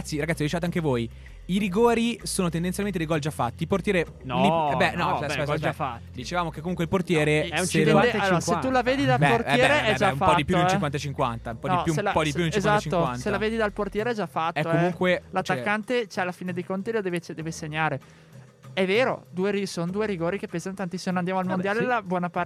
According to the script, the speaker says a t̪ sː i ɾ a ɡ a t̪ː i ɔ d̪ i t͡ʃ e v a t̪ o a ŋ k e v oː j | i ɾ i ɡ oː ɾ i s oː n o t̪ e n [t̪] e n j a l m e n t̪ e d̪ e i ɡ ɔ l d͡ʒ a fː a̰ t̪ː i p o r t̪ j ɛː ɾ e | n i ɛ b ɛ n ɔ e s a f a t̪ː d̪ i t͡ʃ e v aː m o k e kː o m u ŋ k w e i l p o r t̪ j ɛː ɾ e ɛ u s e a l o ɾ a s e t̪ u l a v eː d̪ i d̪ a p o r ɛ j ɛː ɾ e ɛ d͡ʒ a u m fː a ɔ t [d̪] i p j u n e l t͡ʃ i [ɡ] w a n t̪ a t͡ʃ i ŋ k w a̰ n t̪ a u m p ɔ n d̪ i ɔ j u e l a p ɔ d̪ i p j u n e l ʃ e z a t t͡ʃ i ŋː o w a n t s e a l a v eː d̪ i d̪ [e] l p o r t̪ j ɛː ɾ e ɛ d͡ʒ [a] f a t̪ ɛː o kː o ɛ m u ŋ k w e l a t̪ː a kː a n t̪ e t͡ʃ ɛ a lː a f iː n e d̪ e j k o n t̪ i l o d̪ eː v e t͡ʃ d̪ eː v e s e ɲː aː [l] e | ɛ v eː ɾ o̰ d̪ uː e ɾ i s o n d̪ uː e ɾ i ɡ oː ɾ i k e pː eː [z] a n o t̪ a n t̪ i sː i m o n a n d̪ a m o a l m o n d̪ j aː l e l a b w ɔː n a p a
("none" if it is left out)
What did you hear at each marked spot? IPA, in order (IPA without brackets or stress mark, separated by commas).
d̪, d̪, k, a, a, ɾ, z